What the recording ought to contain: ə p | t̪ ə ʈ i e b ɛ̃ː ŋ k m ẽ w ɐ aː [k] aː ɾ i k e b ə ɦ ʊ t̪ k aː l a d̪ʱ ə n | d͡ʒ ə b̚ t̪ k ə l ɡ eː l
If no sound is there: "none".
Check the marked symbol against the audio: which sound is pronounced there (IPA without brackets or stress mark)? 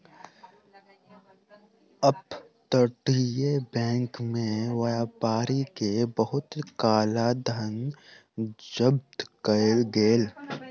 p